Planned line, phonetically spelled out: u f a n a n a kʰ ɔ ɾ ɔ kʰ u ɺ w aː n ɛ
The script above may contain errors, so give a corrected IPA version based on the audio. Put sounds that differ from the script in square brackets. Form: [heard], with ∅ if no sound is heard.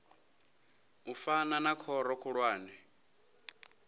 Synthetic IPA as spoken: u f a n a n a kʰ ɔ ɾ ɔ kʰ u ɺ w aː n ɛ